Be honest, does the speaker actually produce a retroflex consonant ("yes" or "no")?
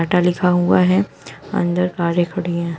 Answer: yes